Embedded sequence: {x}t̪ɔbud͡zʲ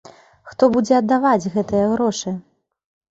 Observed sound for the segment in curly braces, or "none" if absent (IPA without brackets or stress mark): x